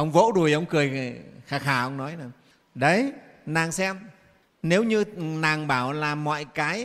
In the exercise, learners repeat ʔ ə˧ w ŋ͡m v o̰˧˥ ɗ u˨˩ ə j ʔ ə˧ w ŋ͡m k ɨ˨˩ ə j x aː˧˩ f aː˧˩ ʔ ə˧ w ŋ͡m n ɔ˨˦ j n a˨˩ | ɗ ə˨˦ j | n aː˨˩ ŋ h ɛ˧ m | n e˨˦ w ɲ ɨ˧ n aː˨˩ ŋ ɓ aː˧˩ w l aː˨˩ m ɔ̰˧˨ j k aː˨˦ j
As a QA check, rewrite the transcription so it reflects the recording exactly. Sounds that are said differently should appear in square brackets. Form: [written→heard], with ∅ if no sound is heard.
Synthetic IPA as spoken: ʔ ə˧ w ŋ͡m v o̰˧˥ ɗ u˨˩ ə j ʔ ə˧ w ŋ͡m k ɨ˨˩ ə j x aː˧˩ [f→x] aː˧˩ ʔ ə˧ w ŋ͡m n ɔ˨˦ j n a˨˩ | ɗ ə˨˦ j | n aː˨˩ ŋ [h→s] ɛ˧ m | n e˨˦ w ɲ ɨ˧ n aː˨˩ ŋ ɓ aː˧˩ w l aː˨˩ m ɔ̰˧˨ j k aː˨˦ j